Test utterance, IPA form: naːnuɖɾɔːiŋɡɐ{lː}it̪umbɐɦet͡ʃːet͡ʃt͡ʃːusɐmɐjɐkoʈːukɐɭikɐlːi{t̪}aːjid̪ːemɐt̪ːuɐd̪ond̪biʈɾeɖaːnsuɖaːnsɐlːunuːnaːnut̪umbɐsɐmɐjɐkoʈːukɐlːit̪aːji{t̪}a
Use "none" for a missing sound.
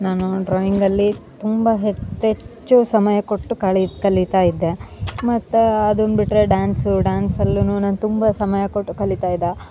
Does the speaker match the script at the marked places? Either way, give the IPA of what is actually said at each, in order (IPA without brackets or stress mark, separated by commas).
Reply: lː, t̪, d̪